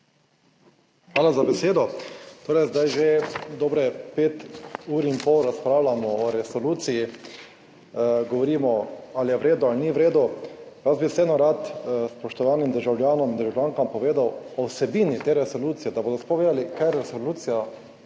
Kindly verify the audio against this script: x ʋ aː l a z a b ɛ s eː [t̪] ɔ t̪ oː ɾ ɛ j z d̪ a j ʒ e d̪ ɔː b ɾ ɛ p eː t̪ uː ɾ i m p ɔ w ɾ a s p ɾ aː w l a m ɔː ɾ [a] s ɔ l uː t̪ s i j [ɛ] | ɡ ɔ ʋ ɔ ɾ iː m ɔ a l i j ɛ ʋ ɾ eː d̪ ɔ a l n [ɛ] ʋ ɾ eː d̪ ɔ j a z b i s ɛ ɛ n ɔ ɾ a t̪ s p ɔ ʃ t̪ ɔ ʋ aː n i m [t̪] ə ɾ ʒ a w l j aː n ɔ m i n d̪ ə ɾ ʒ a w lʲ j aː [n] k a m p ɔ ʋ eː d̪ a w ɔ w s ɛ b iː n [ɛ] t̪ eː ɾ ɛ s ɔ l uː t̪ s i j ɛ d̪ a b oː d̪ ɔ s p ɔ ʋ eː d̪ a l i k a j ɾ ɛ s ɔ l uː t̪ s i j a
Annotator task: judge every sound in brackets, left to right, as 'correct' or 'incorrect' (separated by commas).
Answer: incorrect, incorrect, incorrect, incorrect, incorrect, incorrect, incorrect